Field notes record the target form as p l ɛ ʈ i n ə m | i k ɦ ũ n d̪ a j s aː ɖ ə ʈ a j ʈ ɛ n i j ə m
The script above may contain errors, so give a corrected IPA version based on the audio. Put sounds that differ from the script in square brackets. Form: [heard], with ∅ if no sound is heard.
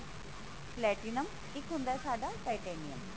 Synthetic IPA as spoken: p l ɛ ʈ i n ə m | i k ɦ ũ n d̪ a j s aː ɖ [a] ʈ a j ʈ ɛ n i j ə m

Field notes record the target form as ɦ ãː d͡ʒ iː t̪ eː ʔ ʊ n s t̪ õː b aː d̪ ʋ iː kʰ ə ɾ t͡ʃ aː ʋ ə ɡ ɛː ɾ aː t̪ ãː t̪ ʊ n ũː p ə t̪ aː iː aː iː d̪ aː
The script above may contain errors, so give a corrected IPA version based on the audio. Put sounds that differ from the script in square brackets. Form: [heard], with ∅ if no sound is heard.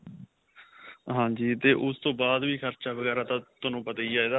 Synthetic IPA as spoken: ɦ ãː d͡ʒ iː t̪ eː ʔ ʊ [∅] s t̪ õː b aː d̪ ʋ iː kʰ ə ɾ t͡ʃ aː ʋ ə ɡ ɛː ɾ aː t̪ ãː t̪ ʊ n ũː p ə t̪ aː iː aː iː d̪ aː

